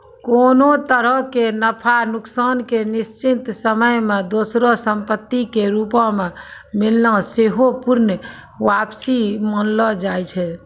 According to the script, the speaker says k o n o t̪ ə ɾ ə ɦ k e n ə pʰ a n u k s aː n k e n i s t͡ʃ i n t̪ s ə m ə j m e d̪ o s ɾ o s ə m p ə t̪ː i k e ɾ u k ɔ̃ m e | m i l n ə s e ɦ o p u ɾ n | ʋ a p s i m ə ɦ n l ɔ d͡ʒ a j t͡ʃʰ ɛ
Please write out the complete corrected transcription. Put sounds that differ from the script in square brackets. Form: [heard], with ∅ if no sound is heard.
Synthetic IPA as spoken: k o n o t̪ ə ɾ ə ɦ k e n ə pʰ a n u k s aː n k e n i s t͡ʃ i n t̪ s ə m ə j m e d̪ o s ɾ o s ə m p ə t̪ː i k e ɾ u [p] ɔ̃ m e | m i l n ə s e ɦ o p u ɾ n | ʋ a p s i m ə [∅] n l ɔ d͡ʒ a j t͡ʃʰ ɛ